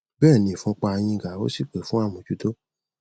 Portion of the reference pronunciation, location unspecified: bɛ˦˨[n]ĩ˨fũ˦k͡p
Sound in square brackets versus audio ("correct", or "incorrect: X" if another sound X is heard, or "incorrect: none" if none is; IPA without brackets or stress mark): correct